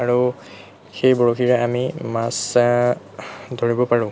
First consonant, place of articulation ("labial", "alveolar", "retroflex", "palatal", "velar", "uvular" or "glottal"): alveolar